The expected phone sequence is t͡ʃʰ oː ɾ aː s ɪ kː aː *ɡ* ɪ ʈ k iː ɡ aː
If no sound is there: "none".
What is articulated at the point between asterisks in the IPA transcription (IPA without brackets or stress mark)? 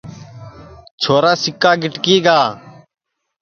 ɡ